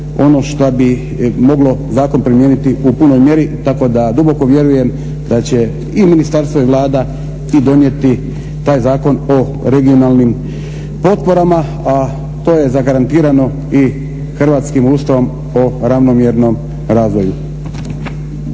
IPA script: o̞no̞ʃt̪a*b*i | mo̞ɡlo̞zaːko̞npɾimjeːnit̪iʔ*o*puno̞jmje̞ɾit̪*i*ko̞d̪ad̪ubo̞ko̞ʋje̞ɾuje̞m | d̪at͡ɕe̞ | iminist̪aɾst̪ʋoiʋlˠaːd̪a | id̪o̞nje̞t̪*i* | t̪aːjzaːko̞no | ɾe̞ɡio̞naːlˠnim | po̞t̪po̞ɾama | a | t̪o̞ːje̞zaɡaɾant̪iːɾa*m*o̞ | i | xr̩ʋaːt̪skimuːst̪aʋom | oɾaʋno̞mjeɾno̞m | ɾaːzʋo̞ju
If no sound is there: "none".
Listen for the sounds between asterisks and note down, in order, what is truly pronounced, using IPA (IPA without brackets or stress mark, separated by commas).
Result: b, u, a, i, n